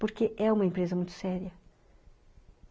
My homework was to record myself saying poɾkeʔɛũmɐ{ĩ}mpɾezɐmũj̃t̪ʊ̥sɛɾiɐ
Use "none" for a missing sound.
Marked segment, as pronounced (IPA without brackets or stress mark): ẽ